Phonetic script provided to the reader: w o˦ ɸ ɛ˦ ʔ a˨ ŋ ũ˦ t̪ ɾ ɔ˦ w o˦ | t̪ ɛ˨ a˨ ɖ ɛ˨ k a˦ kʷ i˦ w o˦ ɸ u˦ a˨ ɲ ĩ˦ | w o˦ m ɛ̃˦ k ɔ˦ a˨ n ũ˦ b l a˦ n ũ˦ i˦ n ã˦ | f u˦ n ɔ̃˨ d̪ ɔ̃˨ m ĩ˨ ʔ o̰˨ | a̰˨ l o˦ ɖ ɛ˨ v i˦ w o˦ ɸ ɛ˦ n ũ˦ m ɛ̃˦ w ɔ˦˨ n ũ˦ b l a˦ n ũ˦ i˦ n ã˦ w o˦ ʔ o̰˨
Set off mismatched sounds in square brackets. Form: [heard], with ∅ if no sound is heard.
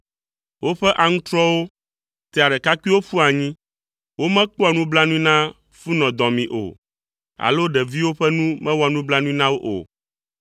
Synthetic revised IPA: w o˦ ɸ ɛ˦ ʔ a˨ ŋ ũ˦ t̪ ɾ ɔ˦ w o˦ | t̪ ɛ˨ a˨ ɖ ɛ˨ k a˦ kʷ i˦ w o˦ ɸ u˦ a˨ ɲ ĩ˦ | w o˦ m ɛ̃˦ [k͡p] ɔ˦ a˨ n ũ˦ b l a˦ n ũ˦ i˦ n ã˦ | f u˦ n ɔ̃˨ d̪ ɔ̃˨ m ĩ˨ ʔ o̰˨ | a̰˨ l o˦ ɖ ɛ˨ v i˦ w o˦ ɸ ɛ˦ n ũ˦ m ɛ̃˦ w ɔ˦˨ n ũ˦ b l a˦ n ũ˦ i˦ n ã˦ w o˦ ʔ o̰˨